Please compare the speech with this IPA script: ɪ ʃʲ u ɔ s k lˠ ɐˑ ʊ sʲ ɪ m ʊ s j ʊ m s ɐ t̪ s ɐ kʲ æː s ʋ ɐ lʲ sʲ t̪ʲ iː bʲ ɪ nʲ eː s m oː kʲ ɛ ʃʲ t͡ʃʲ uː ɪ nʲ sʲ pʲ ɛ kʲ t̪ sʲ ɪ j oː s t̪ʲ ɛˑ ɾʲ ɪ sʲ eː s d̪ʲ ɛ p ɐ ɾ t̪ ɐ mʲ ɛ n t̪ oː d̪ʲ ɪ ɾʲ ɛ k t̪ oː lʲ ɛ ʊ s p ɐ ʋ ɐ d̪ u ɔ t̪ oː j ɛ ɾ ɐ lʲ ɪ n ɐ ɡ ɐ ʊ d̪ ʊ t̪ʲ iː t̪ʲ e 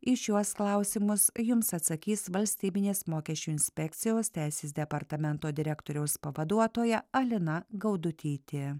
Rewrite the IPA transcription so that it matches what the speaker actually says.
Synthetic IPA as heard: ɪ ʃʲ u ɔ s k lˠ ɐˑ ʊ sʲ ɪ m ʊ s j ʊ m s ɐ t̪ s ɐ kʲ iː s ʋ ɐ lʲ sʲ t̪ʲ iː bʲ ɪ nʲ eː s m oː kʲ ɛ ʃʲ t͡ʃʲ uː ɪ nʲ sʲ pʲ ɛ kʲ t̪ sʲ ɪ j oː s t̪ʲ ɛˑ ɪ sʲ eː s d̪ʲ ɛ p ɐ ɾ t̪ ɐ mʲ ɛ n t̪ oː d̪ʲ ɪ ɾʲ ɛ k t̪ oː ɾʲ ɛ ʊ s p ɐ ʋ ɐ d̪ u ɔ t̪ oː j ɛ ɐ lʲ ɪ n ɐ ɡ ɐ ʊ d̪ ʊ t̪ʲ iː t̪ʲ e